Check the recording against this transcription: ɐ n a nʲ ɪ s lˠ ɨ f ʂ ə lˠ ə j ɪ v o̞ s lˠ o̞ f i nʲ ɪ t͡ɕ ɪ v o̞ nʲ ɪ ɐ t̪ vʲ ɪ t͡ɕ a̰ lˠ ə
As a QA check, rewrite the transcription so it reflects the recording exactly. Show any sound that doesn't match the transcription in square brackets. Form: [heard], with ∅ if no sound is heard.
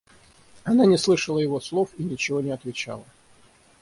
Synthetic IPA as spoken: ɐ n a nʲ ɪ s lˠ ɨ [∅] ʂ ə lˠ ə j ɪ v o̞ s lˠ o̞ f i nʲ ɪ t͡ɕ ɪ v o̞ nʲ ɪ ɐ t̪ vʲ ɪ t͡ɕ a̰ lˠ ə